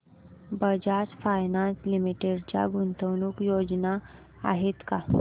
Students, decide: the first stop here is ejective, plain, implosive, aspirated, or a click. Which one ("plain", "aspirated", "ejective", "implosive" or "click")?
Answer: plain